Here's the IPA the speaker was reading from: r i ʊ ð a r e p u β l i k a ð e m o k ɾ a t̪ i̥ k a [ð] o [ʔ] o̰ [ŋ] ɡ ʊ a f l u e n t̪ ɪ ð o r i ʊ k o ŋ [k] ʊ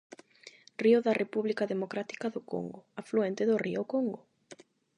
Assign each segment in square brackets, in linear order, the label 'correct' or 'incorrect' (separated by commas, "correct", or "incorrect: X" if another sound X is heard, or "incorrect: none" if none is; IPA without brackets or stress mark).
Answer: correct, incorrect: k, correct, incorrect: ɡ